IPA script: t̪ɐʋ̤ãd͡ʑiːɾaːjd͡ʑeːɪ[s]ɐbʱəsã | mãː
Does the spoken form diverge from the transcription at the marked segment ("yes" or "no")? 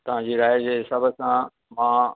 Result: no